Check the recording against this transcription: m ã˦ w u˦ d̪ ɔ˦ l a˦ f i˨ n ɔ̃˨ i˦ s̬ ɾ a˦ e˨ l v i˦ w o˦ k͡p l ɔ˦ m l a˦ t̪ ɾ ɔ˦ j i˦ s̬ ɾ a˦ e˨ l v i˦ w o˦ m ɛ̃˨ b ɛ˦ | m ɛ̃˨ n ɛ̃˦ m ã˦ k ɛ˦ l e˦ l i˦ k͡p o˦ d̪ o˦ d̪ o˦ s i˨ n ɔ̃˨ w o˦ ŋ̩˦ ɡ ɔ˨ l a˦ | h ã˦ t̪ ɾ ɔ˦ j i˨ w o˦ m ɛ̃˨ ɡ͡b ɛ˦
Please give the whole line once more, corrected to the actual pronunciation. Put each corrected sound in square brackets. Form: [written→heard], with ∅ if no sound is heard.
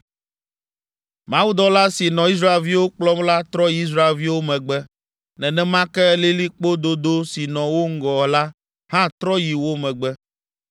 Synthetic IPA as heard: m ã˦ w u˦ d̪ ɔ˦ l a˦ [f→s] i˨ n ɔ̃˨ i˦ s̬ ɾ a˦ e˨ l v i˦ w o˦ k͡p l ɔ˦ m l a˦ t̪ ɾ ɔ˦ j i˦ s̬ ɾ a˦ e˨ l v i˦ w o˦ m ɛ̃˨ [b→ɡ͡b] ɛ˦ | [m→n] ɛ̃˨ n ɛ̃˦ m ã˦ k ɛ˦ l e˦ l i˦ k͡p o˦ d̪ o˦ d̪ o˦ s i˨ n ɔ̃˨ w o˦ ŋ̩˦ ɡ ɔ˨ l a˦ | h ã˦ t̪ ɾ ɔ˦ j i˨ w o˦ m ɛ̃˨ ɡ͡b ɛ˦